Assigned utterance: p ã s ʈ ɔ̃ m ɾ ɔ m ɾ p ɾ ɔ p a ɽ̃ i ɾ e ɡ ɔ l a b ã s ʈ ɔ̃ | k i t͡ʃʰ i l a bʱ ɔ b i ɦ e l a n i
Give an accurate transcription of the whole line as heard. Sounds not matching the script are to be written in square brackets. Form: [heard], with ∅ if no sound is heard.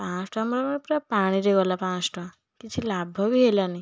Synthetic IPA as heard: p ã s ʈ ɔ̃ m ɾ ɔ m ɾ p ɾ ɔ p a ɽ̃ i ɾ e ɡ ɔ l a [p] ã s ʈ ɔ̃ | k i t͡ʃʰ i l a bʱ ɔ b i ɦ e l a n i

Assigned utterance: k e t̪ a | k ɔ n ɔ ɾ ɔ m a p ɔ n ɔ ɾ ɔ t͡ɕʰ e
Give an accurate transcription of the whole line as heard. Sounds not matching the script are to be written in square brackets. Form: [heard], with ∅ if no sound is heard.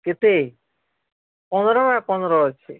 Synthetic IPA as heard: k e t̪ [e] | [p] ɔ n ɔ ɾ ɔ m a p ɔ n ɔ ɾ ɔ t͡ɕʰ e

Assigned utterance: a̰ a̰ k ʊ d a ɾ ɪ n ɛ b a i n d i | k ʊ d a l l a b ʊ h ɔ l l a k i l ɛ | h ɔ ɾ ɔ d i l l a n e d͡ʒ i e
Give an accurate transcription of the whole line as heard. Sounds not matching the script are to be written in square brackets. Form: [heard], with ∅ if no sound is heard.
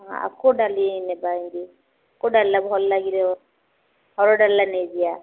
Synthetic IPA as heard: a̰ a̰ k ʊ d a [l] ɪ n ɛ b a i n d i | k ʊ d a l l a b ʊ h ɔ l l a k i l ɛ | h ɔ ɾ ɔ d [a] l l a n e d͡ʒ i [a]

